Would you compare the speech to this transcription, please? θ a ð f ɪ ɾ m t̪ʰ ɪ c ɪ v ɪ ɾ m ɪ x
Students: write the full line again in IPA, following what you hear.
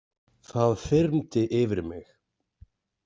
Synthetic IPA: θ a ð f ɪ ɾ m t̪ ɪ ʔ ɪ v ɪ ɾ m ɪ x